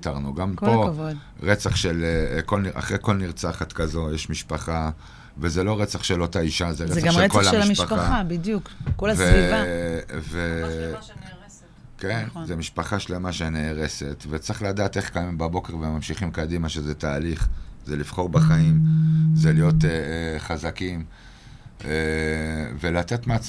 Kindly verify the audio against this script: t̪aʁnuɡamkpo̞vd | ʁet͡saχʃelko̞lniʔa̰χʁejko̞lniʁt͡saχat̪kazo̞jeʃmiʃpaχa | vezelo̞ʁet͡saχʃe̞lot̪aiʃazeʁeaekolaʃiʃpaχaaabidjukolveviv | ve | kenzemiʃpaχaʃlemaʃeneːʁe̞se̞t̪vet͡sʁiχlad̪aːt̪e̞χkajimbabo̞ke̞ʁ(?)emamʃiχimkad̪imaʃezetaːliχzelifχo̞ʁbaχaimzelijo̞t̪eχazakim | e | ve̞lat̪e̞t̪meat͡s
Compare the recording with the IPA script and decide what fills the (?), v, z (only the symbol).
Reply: v